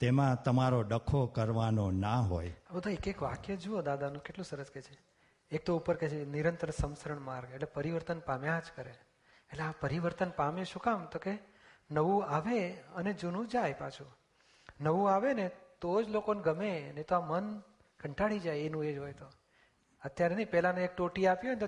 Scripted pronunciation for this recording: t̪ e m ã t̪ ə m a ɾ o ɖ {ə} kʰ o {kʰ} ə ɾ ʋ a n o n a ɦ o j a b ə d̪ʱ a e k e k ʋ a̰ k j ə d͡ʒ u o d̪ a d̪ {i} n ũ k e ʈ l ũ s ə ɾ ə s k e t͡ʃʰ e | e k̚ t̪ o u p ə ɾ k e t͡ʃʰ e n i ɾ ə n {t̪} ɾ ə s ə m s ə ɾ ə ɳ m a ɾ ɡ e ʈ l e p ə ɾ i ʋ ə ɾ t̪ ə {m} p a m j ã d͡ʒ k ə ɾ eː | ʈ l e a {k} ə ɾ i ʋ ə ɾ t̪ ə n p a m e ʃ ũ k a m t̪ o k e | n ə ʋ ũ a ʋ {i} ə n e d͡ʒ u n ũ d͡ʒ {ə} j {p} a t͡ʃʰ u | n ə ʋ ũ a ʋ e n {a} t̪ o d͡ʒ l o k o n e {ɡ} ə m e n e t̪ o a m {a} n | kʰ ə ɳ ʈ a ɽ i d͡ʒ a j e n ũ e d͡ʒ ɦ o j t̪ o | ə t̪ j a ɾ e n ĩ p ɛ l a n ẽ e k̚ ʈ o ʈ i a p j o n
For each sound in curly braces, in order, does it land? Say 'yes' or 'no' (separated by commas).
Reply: yes, no, no, yes, no, no, no, no, yes, no, yes, no